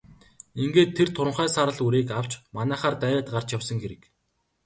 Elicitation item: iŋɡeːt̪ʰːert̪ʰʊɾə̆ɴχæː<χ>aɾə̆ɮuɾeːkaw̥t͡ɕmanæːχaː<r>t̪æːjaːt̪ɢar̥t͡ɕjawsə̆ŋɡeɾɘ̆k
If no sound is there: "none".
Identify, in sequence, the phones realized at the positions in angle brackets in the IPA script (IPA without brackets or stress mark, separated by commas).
s, r